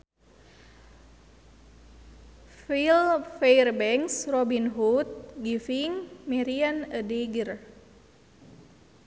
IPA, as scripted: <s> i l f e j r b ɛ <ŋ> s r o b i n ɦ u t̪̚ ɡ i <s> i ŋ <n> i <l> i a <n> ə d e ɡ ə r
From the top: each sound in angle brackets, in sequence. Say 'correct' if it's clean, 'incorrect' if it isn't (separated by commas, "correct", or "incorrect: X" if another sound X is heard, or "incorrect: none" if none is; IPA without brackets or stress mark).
incorrect: f, correct, incorrect: f, incorrect: m, incorrect: ɾ, correct